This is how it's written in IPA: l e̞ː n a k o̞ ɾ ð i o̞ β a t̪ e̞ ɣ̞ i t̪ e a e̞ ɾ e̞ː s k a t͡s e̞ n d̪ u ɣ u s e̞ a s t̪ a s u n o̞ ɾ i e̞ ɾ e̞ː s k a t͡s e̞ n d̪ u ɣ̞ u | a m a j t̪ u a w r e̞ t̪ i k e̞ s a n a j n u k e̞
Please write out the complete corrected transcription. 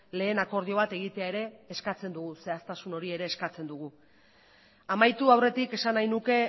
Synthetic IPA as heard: l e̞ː n a k o̞ ɾ ð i o̞ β a t̪ e̞ ɣ̞ i t̪ e a e̞ ɾ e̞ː s k a t͡s e̞ n d̪ u ɣ u s e̞ a s t̪ a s u n o̞ ɾ i e̞ ɾ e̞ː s k a t͡s e̞ n d̪ u ɣ̞ u | a m a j t̪ u a w r e̞ t̪ i k e̞ s a n a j n u k e̞